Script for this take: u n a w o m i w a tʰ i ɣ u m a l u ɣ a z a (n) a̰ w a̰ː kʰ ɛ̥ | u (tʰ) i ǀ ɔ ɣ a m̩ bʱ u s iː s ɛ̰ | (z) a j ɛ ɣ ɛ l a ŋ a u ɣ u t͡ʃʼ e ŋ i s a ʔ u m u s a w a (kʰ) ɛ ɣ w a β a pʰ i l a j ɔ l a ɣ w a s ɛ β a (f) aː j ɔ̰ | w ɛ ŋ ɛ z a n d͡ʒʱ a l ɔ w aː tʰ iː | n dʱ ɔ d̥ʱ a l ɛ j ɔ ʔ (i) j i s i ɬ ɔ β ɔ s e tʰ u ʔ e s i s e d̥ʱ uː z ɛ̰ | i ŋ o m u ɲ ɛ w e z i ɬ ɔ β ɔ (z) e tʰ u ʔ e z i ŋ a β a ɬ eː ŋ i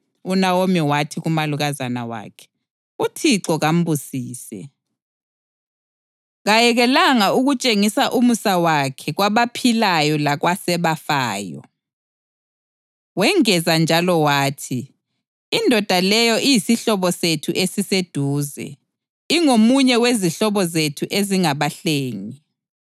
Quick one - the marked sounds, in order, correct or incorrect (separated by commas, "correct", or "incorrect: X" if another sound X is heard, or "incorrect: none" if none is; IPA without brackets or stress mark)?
correct, correct, incorrect: ɣ, correct, correct, correct, correct